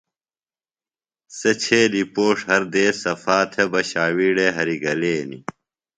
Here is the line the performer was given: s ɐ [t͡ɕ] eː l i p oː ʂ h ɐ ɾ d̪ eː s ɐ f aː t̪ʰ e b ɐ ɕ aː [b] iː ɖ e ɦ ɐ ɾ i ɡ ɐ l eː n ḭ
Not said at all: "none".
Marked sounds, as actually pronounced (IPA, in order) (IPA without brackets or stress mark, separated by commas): t͡ɕʰ, w